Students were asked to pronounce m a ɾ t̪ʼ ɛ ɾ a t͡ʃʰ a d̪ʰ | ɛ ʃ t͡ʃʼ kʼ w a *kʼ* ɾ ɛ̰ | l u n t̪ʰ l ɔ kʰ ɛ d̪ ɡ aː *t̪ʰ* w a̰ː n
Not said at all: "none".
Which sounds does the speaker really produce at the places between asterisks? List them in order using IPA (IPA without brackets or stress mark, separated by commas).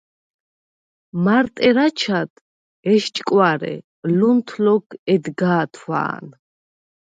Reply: none, t̪ʰ